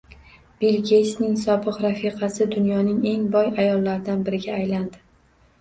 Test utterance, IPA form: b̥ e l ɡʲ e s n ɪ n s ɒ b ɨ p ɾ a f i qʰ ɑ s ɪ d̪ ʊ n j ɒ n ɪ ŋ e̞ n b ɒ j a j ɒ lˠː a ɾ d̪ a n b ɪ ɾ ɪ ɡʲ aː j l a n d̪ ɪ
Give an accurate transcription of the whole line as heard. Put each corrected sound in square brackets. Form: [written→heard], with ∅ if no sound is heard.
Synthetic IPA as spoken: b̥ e l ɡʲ e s n ɪ [n→ŋ] s ɒ b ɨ [p→q] ɾ a f i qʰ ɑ s ɪ d̪ ʊ n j ɒ n ɪ ŋ e̞ [n→ŋ] b ɒ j a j ɒ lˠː a ɾ d̪ a n b ɪ ɾ ɪ ɡʲ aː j l a n d̪ ɪ